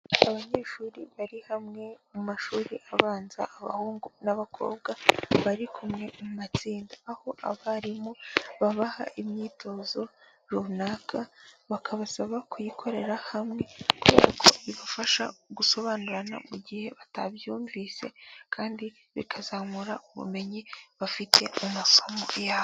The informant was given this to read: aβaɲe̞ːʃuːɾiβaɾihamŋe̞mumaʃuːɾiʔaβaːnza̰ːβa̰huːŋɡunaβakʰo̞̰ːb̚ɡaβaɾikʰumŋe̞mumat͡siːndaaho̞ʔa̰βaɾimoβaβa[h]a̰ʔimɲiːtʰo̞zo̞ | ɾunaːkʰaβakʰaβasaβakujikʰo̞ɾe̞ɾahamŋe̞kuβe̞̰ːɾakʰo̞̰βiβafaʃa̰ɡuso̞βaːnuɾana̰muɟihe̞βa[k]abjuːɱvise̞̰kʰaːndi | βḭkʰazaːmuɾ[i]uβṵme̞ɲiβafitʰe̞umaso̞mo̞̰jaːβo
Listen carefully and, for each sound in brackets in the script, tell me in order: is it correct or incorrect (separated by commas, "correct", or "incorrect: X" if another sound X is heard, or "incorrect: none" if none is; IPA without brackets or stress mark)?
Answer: correct, incorrect: t, incorrect: a